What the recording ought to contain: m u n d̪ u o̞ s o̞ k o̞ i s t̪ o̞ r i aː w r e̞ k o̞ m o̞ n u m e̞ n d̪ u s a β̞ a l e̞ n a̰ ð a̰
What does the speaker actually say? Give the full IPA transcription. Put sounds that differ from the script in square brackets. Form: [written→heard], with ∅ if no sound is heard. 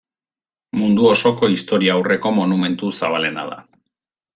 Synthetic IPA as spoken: m u n d̪ u o̞ s o̞ k o̞ i s t̪ o̞ [r→ɾ] i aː w r e̞ k o̞ m o̞ n u m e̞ n [d̪→t̪] u s a β̞ a l e̞ n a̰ ð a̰